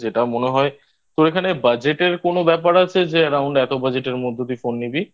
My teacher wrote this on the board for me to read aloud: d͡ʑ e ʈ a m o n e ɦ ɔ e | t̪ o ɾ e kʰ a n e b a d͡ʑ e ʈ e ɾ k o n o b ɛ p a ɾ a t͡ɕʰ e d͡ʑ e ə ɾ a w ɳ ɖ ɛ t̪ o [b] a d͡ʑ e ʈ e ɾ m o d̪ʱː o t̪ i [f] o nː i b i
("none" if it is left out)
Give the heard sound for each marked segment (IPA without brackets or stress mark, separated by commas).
b, f